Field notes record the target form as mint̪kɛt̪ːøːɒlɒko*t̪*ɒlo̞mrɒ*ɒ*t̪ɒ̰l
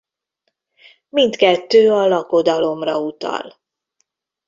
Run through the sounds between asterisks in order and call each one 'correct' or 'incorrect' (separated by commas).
incorrect, incorrect